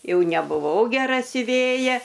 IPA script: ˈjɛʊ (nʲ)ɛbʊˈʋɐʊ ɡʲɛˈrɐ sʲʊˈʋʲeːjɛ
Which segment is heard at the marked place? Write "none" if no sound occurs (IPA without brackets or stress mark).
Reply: nʲ